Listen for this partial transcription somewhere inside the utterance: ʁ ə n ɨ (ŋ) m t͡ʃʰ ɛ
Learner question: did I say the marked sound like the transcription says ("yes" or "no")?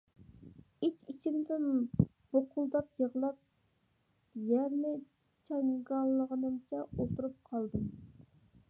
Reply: no